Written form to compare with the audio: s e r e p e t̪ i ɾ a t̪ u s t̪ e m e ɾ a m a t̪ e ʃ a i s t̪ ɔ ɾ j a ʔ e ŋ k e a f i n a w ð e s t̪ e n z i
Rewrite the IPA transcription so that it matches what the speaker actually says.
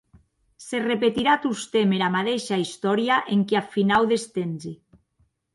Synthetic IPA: s e r e p e t̪ i ɾ a t̪ u s t̪ e m e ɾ a m a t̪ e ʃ a i s t̪ ɔ ɾ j a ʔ e ŋ k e a f i n a w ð e s t̪ e n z i